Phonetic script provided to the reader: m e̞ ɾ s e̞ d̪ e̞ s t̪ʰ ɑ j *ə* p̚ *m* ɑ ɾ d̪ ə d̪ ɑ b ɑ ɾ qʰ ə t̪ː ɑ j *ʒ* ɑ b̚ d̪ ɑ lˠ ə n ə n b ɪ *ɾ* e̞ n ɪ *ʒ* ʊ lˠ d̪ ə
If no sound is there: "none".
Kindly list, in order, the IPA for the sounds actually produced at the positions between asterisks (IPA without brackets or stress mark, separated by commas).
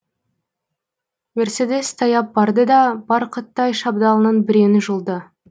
ɑ, b, ʃ, ɾ, ʒ